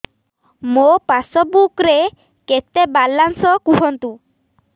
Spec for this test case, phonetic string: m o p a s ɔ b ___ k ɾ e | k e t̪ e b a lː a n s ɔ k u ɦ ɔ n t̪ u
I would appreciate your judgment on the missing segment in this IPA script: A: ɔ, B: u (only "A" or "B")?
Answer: B